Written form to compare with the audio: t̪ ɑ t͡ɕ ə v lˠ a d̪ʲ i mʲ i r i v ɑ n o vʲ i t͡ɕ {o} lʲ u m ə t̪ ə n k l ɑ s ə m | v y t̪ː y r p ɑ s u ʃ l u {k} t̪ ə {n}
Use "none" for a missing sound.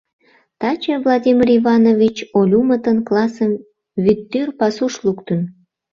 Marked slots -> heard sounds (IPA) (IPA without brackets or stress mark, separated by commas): o, k, n